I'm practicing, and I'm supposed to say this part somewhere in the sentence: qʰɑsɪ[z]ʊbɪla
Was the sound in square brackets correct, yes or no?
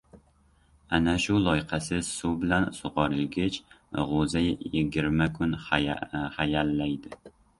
no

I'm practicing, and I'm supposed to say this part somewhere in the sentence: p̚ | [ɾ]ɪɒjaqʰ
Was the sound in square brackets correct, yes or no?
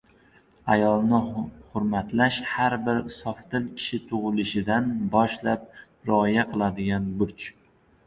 yes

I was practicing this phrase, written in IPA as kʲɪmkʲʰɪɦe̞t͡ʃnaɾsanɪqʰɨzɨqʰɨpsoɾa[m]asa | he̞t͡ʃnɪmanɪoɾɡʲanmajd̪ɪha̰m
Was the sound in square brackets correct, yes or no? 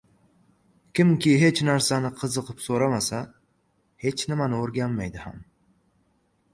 yes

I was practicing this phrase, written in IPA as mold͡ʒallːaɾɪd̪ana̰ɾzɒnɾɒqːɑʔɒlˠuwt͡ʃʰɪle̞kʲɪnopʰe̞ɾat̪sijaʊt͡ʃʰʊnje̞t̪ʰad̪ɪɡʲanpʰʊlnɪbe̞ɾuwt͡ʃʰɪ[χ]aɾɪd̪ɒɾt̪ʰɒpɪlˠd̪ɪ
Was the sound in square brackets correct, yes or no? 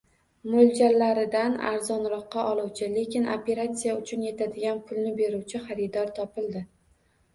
yes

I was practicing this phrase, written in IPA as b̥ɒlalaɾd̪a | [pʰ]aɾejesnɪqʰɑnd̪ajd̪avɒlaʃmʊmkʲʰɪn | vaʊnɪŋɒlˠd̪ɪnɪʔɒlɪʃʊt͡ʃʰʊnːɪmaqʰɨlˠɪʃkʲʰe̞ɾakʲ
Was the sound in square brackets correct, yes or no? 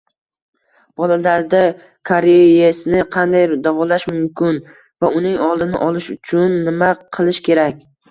no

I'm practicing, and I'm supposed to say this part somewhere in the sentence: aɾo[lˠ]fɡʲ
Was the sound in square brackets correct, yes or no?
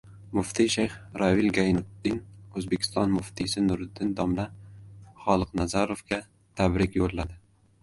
no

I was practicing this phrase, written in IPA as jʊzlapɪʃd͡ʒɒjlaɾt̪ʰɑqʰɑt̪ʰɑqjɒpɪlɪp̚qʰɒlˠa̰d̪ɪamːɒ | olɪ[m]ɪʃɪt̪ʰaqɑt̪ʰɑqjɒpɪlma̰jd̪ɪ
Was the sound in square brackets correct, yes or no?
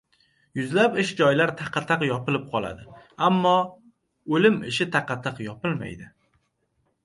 yes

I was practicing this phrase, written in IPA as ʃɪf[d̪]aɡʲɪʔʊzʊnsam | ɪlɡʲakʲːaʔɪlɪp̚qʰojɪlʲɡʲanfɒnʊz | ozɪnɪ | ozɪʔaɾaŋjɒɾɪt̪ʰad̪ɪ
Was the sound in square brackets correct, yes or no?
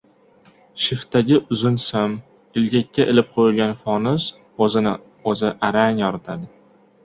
no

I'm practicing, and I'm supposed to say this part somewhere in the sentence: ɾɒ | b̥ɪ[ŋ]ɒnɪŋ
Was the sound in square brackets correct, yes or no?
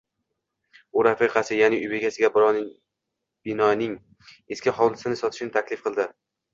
no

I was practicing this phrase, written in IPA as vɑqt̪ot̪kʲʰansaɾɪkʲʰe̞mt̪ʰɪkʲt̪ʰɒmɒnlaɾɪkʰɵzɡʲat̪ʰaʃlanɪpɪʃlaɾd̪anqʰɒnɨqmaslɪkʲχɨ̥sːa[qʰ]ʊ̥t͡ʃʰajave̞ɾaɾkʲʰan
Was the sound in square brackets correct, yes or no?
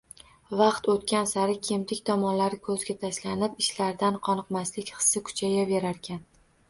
no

